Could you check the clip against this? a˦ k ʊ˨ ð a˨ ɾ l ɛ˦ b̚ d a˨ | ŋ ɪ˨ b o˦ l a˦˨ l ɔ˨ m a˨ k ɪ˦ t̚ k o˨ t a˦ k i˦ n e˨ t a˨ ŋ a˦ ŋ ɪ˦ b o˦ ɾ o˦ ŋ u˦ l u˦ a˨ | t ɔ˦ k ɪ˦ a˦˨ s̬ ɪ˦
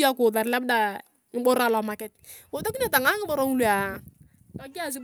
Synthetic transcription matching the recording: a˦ k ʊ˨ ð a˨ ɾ l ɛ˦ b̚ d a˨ | ŋ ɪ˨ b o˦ ɾ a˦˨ l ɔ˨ m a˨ k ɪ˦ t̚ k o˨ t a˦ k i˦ n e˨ t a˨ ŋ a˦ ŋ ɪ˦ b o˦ ɾ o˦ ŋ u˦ l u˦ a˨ | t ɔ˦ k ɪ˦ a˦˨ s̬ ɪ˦